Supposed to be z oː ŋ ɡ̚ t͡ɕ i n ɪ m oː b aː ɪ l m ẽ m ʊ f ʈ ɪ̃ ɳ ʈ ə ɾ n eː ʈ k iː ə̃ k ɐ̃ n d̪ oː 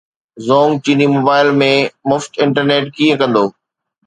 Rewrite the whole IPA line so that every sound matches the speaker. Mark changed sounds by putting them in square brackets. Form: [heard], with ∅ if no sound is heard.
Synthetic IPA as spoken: z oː ŋ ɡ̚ t͡ɕ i n [i] m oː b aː ɪ l m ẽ m ʊ f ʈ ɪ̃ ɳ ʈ ə ɾ n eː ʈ k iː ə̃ k ɐ̃ n d̪ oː